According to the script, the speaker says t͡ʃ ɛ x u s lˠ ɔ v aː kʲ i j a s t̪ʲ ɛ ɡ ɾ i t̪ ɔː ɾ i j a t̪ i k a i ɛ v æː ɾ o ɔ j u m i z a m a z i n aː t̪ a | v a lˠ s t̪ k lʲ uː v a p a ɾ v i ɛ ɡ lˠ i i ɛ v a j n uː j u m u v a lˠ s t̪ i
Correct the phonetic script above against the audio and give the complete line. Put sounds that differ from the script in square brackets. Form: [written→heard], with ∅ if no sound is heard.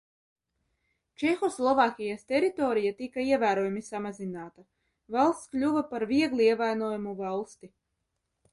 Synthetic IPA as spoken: t͡ʃ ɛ x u s lˠ ɔ v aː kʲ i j a s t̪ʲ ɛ [ɡ→∅] ɾ i t̪ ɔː ɾ i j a t̪ i k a i ɛ v æː ɾ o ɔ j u m i [z→s] a m a z i n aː t̪ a | v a lˠ s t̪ k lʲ [uː→u] v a p a ɾ v i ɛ ɡ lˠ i i ɛ v a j n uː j u m u v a lˠ s t̪ i